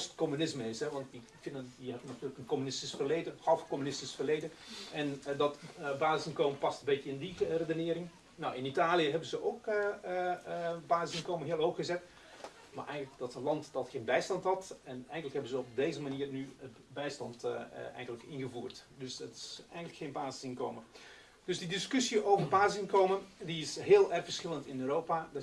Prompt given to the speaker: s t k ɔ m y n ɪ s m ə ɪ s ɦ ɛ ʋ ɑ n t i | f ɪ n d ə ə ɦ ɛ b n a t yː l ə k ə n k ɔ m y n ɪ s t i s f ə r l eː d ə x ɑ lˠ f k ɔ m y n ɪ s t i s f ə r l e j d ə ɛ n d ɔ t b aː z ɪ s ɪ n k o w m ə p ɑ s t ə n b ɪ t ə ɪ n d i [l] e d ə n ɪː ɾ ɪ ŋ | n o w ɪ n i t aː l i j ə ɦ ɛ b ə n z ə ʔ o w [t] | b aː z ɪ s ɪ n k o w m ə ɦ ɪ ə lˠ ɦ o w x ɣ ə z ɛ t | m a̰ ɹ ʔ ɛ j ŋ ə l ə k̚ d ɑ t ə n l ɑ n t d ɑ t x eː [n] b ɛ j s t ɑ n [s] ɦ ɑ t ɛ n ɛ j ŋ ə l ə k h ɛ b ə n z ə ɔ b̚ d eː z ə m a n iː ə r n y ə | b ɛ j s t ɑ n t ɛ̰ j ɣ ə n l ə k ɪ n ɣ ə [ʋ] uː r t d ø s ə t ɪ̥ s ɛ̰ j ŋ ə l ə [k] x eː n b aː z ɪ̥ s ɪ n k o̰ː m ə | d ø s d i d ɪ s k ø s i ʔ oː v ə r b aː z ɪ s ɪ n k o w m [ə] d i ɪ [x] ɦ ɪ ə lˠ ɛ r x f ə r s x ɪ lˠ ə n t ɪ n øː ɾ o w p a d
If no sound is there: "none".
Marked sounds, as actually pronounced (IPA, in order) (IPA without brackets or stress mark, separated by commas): r, k, n, t, v, k, ə, s